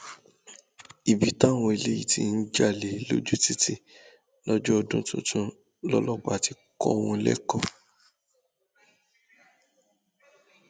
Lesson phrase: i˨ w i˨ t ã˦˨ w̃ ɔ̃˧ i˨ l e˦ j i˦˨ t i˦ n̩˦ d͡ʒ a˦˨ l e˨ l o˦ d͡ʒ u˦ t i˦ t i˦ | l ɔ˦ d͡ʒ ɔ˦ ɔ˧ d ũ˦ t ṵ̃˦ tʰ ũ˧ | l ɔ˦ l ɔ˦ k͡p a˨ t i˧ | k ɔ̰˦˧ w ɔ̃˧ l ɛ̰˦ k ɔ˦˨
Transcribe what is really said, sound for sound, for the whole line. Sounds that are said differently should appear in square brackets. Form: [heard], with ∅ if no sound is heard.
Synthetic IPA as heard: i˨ [b] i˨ t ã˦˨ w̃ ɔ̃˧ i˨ l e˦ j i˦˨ t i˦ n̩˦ d͡ʒ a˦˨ l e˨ l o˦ d͡ʒ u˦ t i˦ t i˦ | l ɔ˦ d͡ʒ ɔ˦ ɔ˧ d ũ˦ t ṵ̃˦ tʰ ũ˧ | l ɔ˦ l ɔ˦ k͡p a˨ t i˧ | k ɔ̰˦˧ w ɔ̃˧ l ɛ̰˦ k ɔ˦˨